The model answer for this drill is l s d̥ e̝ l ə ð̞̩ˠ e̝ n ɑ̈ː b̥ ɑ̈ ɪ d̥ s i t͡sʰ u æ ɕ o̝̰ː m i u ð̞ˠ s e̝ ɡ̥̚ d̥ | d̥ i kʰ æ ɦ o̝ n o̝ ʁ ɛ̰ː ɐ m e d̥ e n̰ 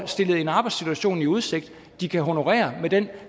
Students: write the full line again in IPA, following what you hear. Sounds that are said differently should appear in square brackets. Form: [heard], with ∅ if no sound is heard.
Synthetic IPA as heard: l s d̥ e̝ l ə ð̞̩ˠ e̝ n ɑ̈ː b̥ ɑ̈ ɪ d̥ s i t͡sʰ u æ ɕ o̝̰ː [n] i u ð̞ˠ s e̝ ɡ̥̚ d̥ | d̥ i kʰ æ ɦ o̝ n o̝ ʁ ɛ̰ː ɐ m e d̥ e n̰

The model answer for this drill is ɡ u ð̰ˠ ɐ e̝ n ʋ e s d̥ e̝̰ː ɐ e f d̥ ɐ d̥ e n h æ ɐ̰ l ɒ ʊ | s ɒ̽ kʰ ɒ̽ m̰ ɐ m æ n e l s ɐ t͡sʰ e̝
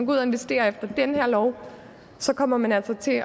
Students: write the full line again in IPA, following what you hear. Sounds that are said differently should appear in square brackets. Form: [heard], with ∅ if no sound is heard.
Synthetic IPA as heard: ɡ u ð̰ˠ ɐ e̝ n ʋ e s d̥ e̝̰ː ɐ e f d̥ ɐ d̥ e n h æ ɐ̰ l ɒ ʊ | s ɒ̽ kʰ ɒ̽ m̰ ɐ m æ n [æ] l s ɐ t͡sʰ e̝

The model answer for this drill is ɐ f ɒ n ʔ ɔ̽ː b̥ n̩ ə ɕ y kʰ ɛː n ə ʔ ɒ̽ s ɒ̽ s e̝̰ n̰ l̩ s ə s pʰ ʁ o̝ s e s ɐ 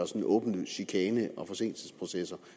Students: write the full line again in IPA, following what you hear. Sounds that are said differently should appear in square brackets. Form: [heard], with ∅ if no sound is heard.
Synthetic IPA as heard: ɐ [s] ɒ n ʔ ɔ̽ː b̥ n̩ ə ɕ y kʰ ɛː n ə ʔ ɒ̽ [f] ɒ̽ s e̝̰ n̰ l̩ s ə s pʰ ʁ o̝ s e s ɐ

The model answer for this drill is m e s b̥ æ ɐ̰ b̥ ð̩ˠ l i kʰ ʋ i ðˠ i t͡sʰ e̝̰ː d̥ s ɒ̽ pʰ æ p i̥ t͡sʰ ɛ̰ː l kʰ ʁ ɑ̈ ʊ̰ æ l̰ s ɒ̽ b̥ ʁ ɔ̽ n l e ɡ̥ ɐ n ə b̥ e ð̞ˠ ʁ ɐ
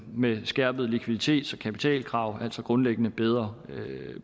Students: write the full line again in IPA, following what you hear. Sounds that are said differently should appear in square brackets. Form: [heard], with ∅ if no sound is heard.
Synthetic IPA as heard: m e s [ɡ̥] æ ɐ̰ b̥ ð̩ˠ l i kʰ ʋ i ðˠ i t͡sʰ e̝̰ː d̥ s ɒ̽ [kʰ] æ p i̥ t͡sʰ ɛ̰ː l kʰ ʁ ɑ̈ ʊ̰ æ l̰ s ɒ̽ [ɡ̥] ʁ ɔ̽ n l e ɡ̥ [ə] n ə b̥ e ð̞ˠ ʁ ɐ

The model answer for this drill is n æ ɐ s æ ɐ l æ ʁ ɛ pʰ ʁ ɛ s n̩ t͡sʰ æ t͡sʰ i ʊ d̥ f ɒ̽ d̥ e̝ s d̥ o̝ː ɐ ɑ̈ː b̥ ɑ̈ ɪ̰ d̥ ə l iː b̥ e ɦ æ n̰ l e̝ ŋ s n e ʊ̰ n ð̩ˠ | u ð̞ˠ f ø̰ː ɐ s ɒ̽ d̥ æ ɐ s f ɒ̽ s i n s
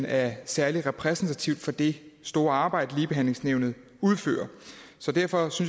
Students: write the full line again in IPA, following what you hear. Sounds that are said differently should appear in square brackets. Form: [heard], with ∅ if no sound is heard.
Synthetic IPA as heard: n æ ɐ s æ ɐ l [i] ʁ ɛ pʰ ʁ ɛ s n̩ t͡sʰ æ t͡sʰ i ʊ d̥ f ɒ̽ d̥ e̝ s d̥ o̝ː ɐ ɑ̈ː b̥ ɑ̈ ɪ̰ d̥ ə l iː b̥ e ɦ æ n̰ l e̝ ŋ s n e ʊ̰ n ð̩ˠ | u ð̞ˠ f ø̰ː ɐ s ɒ̽ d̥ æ ɐ [∅] f ɒ̽ s [y] n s

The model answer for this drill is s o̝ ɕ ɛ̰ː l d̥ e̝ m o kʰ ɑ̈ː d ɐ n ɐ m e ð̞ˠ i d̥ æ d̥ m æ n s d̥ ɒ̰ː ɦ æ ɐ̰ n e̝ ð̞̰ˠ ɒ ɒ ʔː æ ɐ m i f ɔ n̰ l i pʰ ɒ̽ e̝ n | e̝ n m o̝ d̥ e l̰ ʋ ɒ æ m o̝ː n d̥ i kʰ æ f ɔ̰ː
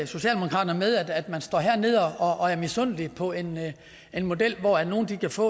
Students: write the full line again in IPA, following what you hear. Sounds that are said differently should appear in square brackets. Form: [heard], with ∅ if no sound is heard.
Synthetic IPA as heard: s o̝ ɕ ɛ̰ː l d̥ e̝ m o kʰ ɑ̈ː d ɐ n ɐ m e ð̞ˠ [æ] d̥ æ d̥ m æ n s d̥ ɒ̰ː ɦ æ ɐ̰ n e̝ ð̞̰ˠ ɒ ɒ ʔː æ ɐ m i [s] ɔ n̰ l i pʰ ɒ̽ e̝ n | e̝ n m o̝ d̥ e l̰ ʋ ɒ æ [n] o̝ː n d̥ i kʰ æ f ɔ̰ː

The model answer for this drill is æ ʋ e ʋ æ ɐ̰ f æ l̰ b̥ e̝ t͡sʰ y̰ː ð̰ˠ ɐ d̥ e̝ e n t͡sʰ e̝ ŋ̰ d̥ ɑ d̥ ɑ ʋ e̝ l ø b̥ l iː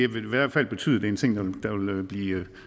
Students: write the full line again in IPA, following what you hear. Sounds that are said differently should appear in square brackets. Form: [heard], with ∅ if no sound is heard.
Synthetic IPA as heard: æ ʋ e ʋ æ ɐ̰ f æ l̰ b̥ e̝ t͡sʰ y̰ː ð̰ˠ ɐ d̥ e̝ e n t͡sʰ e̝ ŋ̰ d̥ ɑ d̥ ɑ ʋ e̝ l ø b̥ l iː

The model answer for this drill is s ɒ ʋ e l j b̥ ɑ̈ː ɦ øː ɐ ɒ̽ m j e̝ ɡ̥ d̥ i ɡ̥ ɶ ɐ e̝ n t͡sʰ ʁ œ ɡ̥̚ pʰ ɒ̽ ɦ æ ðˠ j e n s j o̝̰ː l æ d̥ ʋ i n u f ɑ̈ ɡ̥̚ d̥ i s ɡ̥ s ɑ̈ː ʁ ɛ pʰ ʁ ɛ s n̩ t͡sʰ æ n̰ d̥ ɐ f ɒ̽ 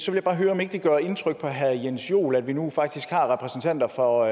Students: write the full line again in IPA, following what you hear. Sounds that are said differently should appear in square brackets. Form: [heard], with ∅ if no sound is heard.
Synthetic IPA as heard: s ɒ ʋ e l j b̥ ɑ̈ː ɦ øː ɐ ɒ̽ m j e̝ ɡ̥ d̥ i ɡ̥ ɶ ɐ e̝ n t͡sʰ ʁ œ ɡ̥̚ pʰ ɒ̽ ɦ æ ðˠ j e n s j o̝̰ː l æ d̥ ʋ i n u f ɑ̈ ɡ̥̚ d̥ i s ɡ̥ [h] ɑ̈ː ʁ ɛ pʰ ʁ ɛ s n̩ t͡sʰ æ n̰ d̥ ɐ f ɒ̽

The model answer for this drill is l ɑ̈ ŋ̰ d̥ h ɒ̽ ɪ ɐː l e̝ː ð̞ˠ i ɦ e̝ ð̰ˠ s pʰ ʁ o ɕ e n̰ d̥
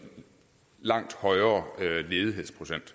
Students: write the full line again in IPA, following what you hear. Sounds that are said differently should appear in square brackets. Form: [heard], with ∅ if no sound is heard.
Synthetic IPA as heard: l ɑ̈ ŋ̰ d̥ h ɒ̽ ɪ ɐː l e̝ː ð̞ˠ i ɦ e̝ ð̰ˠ s pʰ ʁ o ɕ e n̰ d̥

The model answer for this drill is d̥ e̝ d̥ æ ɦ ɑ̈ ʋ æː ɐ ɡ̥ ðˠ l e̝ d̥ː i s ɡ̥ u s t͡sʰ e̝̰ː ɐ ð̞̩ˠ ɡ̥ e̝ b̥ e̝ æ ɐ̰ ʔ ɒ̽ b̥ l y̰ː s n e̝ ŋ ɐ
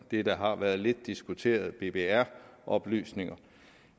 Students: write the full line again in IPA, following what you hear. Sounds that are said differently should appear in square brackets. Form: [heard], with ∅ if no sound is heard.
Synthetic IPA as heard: d̥ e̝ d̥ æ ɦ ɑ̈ ʋ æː ɐ [∅] ðˠ l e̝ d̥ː i s ɡ̥ u [∅] t͡sʰ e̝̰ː ɐ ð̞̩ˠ [b̥] e̝ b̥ e̝ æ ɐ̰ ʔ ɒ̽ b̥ l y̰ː s n e̝ ŋ ɐ

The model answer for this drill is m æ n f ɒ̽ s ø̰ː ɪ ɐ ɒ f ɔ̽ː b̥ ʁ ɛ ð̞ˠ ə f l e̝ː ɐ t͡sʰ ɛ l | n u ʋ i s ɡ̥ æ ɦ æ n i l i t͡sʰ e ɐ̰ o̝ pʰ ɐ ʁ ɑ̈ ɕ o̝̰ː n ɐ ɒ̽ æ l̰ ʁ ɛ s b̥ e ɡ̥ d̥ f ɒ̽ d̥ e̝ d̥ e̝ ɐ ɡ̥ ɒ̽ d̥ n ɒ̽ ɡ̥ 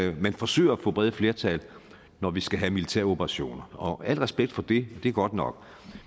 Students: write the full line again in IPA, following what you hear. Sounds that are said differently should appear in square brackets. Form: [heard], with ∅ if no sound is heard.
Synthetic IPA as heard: m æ n f ɒ̽ s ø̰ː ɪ ɐ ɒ f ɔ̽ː b̥ ʁ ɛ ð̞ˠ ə f l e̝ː ɐ t͡sʰ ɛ l | n [ɒ] ʋ i s ɡ̥ æ ɦ æ [m] i l i t͡sʰ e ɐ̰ o̝ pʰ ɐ ʁ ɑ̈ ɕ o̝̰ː n ɐ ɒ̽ æ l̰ ʁ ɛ s b̥ e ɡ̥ d̥ f ɒ̽ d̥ e̝ d̥ e̝ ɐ ɡ̥ ɒ̽ d̥ n ɒ̽ ɡ̥

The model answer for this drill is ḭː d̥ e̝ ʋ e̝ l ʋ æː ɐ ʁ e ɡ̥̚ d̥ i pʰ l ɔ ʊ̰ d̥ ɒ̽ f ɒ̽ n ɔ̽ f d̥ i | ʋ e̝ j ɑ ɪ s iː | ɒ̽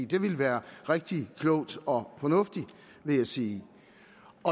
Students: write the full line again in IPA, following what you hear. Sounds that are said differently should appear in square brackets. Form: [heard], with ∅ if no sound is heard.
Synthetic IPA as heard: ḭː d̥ e̝ ʋ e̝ l ʋ æː ɐ ʁ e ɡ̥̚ d̥ i [kʰ] l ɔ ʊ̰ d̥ ɒ̽ f ɒ̽ n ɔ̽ f d̥ i | ʋ e̝ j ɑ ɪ s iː | ɒ̽

